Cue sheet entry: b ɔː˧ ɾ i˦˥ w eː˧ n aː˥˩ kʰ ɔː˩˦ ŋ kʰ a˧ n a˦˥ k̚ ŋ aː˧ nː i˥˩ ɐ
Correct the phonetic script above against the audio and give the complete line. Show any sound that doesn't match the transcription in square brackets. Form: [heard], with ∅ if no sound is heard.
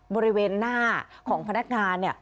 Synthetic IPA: b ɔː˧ ɾ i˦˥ w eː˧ [nː] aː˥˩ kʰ ɔː˩˦ ŋ [pʰ] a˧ n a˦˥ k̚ ŋ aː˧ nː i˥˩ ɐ